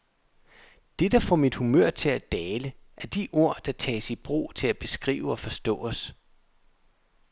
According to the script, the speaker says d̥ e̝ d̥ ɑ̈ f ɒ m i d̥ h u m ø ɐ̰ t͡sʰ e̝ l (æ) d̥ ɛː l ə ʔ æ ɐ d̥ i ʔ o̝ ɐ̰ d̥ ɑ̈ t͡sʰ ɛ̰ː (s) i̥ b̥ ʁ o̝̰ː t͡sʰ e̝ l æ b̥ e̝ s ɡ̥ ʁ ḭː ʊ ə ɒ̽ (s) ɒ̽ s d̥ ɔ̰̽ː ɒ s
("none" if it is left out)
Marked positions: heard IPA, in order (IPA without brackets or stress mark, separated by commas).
æ, s, f